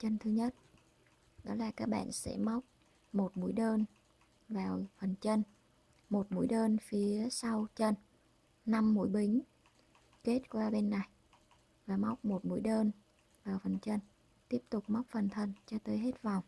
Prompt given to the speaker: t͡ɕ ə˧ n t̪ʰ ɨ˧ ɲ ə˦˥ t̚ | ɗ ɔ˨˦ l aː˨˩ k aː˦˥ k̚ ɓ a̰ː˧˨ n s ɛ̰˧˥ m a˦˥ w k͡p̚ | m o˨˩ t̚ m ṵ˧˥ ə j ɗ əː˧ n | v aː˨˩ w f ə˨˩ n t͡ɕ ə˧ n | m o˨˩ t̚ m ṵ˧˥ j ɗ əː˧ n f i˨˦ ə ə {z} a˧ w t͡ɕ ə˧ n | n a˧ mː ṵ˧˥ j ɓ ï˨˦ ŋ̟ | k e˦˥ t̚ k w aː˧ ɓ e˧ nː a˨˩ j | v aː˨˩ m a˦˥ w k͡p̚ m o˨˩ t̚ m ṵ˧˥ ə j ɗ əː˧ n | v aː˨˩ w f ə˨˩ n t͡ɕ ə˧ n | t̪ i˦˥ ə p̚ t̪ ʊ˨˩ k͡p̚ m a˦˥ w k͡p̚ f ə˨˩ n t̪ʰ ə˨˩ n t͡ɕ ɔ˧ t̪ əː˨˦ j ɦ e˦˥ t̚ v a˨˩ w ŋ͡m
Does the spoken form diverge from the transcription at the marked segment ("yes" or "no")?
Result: yes